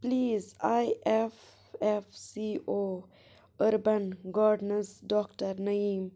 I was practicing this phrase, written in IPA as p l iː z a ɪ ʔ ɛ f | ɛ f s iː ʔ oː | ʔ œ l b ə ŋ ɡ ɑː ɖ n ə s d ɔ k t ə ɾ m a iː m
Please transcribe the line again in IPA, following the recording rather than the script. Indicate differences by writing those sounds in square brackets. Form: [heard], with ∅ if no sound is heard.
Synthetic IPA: p l iː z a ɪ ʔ ɛ f | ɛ f s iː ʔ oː | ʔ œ [ɾ] b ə [n] ɡ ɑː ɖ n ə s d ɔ k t ə ɾ [n] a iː m